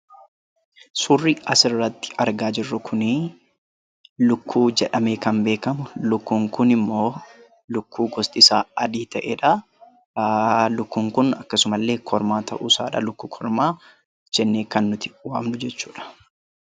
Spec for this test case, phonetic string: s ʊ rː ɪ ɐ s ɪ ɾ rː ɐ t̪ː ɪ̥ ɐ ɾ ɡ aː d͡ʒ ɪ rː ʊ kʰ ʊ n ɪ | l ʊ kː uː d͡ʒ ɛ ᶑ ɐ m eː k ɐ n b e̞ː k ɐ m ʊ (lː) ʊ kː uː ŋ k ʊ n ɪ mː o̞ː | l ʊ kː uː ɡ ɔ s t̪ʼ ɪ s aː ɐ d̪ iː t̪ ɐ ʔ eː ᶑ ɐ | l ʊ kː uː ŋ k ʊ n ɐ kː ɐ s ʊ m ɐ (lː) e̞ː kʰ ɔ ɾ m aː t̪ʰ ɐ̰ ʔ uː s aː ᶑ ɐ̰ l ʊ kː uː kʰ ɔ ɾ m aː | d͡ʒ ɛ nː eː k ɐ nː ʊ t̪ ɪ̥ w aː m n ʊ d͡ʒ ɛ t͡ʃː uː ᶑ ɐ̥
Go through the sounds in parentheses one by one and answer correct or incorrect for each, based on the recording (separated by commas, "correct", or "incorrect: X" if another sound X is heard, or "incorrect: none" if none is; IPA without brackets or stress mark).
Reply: incorrect: l, correct